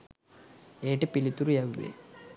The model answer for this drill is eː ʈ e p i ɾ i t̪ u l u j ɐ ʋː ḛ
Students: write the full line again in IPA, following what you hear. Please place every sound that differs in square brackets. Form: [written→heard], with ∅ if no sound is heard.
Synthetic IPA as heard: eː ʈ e p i [ɾ→l] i t̪ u [l→ɾ] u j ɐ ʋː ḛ